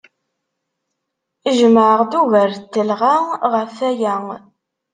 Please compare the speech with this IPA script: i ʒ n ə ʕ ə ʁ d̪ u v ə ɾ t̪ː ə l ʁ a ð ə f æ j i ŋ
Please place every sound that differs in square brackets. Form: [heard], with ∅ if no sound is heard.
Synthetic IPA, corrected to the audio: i ʒ [m] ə ʕ ə ʁ d̪ u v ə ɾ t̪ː ə l ʁ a [ʁ] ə f æ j [æ] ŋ